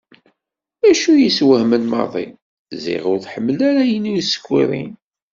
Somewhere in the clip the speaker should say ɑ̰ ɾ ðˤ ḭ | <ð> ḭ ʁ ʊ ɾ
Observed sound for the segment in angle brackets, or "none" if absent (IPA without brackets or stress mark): z